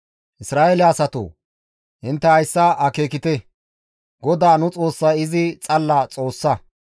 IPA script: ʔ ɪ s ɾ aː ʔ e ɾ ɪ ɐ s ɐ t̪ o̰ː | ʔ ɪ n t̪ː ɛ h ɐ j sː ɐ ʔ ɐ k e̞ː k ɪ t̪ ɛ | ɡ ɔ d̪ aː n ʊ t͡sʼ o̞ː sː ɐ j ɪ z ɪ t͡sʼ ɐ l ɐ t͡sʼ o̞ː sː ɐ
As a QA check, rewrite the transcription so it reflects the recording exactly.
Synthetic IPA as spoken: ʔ ɪ s ɾ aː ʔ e l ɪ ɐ s ɐ t̪ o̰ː | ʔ ɪ n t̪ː ɛ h ɐ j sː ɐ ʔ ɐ k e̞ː k ɪ t̪ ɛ | ɡ ɔ d̪ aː n ʊ t͡sʼ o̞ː sː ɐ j ɪ z ɪ t͡sʼ ɐ lː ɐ t͡sʼ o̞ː sː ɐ

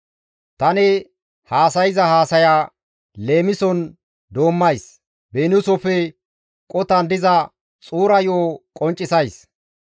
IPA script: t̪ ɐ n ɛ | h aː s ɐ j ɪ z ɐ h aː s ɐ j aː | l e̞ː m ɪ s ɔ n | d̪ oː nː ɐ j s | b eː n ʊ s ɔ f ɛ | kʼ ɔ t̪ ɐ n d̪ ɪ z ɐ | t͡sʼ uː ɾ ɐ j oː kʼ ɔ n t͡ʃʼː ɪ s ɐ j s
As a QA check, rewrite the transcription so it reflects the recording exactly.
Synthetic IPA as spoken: t̪ ɐ n ɛ | h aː s ɐ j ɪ z ɐ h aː s ɐ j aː | l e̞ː m ɪ s ɔ n | d̪ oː mː ɐ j s | b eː n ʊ s ɔ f ɛ | kʼ ɔ t̪ ɐ n d̪ ɪ z ɐ | t͡sʼ uː ɾ ɐ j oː kʼ ɔ n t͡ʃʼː ɪ s ɐ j s

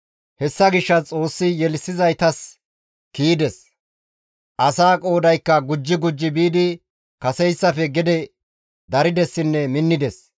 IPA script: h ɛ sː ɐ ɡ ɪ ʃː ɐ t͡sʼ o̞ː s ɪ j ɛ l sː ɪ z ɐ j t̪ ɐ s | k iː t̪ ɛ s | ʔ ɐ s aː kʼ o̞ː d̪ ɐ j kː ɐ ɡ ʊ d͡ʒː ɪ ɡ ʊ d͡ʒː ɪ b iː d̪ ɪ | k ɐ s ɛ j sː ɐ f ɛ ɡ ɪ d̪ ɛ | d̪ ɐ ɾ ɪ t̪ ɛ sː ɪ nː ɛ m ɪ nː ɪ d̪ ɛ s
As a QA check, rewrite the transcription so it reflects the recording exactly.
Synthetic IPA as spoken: h ɛ sː ɐ ɡ ɪ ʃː ɐ t͡sʼ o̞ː sː ɪ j ɛ l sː ɪ z ɐ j t̪ ɐ s | k iː d̪ ɛ s | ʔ ɐ s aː kʼ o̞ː d̪ ɐ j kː ɐ ɡ ʊ d͡ʒː ɪ ɡ ʊ d͡ʒː ɪ b iː d̪ ɪ | k ɐ s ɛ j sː ɐ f ɛ ɡ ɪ d̪ ɛ | d̪ ɐ ɾ ɪ d̪ ɛ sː ɪ nː ɛ m ɪ nː ɪ d̪ ɛ s

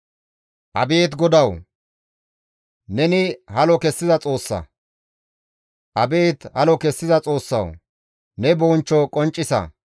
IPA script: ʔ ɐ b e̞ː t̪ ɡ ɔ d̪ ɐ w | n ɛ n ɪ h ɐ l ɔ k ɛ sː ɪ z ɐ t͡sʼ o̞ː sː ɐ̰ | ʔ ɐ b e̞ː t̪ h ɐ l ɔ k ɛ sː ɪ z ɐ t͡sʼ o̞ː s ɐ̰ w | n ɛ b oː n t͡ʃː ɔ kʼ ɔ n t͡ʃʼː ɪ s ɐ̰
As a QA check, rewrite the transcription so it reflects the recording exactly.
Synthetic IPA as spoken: ʔ ɐ b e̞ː t̪ ɡ ɔ d̪ ɐ w | n ɛ n ɪ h ɐ l ɔ k ɛ sː ɪ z ɐ t͡sʼ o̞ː sː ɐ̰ | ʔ ɐ b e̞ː t̪ h ɐ l ɔ k ɛ sː ɪ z ɐ t͡sʼ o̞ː sː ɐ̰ w | n ɛ b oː n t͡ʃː ɔ kʼ ɔ n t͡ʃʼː ɪ s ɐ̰

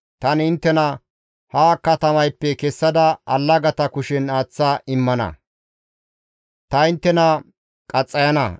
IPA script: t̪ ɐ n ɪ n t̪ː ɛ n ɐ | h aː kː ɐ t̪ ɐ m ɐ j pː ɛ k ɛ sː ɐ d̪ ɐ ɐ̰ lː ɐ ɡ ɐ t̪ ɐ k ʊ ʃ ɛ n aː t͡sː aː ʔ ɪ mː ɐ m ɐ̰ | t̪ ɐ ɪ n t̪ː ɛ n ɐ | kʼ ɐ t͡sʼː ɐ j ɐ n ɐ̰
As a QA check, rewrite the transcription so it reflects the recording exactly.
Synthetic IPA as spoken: t̪ ɐ n ɪ n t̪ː ɛ n ɐ | h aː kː ɐ t̪ ɐ m ɐ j pː ɛ k ɛ sː ɐ d̪ ɐ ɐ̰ lː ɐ ɡ ɐ t̪ ɐ k ʊ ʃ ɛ n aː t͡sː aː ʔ ɪ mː ɐ n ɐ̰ | t̪ ɐ ɪ n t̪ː ɛ n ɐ | kʼ ɐ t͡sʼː ɐ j ɐ n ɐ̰

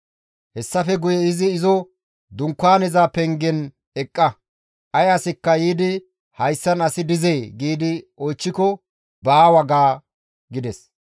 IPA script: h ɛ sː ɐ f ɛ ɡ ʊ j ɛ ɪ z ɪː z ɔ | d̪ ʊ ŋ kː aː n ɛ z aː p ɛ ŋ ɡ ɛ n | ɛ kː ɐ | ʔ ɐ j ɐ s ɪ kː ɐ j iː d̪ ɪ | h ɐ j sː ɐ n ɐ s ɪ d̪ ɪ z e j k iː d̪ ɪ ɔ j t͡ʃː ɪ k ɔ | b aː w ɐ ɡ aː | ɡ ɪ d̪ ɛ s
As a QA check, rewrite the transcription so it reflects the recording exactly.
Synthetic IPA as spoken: h ɛ sː ɐ f ɛ ɡ ʊ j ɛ ɪ z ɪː z ɔ | d̪ ʊ ŋ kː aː n ɛ z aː p ɛ ŋ ɡ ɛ n | ɛ kʼː ɐ | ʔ ɐ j ɐ s ɪ kː ɐ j iː d̪ ɪ | h ɐ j sː ɐ n ɐ s ɪ d̪ ɪ z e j ɡ iː d̪ ɪ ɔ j t͡ʃː ɪ k ɔ | b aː w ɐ ɡ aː | ɡ ɪ d̪ ɛ s

